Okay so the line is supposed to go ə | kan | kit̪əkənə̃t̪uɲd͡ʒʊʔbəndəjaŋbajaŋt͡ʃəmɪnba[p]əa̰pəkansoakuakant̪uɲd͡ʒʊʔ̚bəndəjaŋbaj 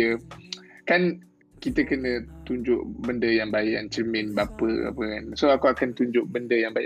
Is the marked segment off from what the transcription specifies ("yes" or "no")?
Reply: no